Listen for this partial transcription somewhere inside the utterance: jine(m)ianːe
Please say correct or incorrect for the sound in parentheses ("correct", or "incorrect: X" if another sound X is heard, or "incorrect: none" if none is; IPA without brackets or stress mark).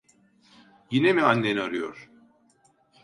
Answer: correct